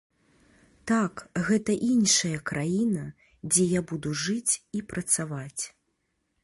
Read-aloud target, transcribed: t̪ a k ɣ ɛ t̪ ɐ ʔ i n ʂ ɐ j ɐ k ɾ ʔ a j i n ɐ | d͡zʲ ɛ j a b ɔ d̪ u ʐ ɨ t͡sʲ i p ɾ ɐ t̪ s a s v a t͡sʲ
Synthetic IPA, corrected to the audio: t̪ a k ɣ ɛ t̪ ɐ ʔ i n ʂ ɐ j ɐ k ɾ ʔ a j i n ɐ | d͡zʲ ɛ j a b u d̪ u ʐ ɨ t͡sʲ i p ɾ ɐ t̪ s a v a t͡sʲ